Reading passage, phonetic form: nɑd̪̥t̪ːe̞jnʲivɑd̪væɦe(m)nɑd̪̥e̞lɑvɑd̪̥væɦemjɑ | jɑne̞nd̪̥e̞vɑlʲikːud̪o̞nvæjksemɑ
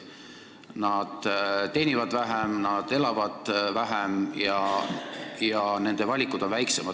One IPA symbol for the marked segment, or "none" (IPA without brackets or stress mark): m